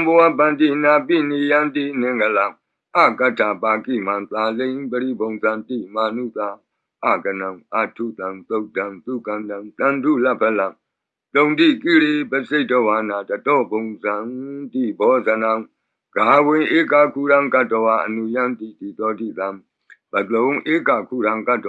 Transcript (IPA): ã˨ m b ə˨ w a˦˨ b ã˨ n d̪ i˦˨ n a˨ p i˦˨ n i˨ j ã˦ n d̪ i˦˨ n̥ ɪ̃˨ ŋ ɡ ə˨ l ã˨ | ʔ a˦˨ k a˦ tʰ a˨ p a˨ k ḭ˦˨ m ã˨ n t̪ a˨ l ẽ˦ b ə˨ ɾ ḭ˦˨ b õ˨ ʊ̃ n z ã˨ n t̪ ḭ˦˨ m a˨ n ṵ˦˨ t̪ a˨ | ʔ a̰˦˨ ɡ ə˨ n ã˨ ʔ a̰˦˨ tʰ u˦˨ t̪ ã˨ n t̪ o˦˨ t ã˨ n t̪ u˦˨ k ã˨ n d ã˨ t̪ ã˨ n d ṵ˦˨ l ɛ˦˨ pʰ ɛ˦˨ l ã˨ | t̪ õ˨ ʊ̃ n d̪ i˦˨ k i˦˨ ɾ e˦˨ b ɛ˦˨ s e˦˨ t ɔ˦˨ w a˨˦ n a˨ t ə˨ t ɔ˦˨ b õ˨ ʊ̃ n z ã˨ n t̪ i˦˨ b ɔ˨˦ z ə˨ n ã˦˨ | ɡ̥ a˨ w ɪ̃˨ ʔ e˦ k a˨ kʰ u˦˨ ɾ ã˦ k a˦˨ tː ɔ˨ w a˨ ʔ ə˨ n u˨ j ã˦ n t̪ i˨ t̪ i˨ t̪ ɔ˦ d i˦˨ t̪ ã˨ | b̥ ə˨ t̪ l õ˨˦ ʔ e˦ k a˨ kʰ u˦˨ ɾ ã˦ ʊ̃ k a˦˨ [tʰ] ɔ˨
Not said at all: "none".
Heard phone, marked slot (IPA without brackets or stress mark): t